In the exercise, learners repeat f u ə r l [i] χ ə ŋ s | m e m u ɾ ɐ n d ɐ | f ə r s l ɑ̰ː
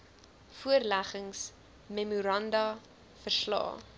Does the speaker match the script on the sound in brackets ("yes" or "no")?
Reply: no